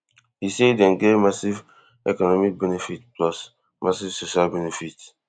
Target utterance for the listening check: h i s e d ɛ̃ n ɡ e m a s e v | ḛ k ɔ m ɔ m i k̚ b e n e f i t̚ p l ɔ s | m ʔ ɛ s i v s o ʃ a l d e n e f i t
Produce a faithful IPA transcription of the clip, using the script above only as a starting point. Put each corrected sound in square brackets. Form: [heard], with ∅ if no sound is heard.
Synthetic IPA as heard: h i s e d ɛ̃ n ɡ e m a s [i] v | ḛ k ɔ [n] ɔ m i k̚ b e n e f i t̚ p l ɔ s | m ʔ [a] s i v s o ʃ a l [b] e n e f i t